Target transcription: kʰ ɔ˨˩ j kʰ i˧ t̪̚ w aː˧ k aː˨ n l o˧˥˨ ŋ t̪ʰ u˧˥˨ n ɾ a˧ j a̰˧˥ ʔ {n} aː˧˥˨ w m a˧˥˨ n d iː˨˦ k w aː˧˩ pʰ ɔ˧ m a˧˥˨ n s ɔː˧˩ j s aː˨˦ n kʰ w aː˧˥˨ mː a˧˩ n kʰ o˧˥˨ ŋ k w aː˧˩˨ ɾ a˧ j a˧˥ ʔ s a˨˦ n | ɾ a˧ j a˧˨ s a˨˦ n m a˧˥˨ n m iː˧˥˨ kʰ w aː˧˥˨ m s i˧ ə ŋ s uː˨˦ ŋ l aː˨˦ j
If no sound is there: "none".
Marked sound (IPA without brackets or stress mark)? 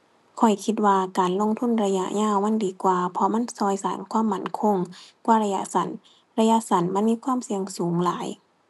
ɲ